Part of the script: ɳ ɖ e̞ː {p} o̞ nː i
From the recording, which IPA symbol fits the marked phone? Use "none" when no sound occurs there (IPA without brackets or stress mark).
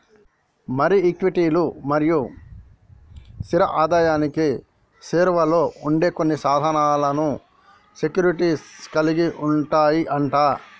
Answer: k